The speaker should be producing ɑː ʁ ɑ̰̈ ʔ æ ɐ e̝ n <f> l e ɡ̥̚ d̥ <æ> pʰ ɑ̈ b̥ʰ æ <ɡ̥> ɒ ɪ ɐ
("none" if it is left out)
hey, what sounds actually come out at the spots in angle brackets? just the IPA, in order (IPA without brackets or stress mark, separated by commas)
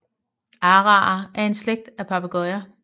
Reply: s, æ, ɡ̥